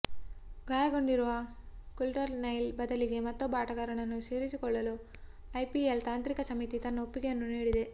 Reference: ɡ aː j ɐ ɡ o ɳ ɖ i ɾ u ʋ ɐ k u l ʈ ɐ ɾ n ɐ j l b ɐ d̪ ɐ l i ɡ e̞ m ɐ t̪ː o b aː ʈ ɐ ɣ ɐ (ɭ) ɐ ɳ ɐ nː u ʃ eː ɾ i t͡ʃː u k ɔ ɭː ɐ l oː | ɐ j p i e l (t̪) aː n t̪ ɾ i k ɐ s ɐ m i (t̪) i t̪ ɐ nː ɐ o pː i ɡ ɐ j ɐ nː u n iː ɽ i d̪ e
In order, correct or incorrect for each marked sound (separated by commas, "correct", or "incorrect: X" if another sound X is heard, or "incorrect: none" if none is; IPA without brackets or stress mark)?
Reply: incorrect: ɾ, correct, correct